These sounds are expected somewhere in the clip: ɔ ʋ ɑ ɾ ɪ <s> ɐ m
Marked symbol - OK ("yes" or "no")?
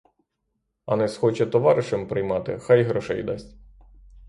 no